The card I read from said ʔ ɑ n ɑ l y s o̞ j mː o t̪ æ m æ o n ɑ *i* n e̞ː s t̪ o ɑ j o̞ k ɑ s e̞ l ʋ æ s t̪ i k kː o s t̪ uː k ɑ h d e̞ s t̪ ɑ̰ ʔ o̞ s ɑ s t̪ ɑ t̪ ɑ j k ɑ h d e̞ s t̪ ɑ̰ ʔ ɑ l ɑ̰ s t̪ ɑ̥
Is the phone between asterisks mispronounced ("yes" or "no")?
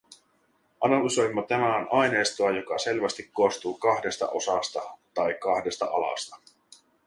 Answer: yes